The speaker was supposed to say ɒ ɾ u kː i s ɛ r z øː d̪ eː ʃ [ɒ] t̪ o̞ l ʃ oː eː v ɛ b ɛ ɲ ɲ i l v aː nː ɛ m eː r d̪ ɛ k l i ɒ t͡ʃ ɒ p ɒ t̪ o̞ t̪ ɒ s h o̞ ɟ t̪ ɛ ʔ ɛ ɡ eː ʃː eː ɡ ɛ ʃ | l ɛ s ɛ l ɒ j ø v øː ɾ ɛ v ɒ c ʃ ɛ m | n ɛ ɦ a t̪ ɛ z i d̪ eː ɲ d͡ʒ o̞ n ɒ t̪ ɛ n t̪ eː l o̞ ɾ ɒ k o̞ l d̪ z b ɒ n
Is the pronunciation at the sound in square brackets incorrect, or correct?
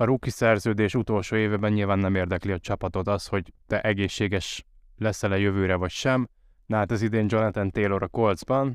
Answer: incorrect